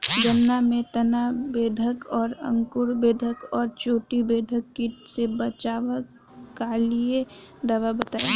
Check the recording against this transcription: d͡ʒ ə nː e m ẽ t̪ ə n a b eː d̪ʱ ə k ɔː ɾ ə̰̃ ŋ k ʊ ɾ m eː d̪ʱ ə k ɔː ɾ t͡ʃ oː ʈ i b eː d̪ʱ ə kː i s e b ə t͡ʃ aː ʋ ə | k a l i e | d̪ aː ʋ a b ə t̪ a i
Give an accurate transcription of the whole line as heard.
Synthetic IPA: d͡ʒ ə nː a m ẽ t̪ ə n a b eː d̪ʱ ə k ɔː ɾ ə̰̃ ŋ k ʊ ɾ b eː d̪ʱ ə k ɔː ɾ t͡ʃ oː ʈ i b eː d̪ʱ ə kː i s e b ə t͡ʃ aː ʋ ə | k a l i e | d̪ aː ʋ a b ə t̪ a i